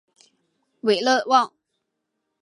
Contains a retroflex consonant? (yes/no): no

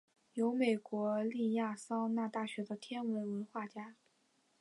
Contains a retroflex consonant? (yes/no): no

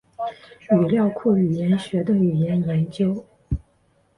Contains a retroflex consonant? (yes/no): no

